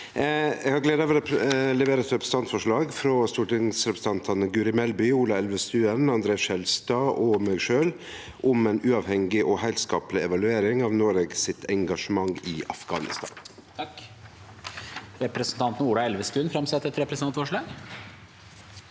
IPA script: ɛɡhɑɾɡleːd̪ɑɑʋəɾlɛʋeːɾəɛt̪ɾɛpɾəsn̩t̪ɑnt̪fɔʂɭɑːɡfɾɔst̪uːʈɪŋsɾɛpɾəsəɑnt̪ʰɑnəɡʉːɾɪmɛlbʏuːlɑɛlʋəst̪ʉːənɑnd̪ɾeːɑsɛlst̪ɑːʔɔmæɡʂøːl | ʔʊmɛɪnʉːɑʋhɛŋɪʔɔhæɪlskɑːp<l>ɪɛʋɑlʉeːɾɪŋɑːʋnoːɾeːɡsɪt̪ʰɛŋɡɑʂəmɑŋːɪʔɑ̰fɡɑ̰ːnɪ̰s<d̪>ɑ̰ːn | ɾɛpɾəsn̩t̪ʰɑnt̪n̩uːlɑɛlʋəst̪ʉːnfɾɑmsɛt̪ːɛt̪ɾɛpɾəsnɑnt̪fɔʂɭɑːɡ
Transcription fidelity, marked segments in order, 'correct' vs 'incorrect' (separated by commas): correct, incorrect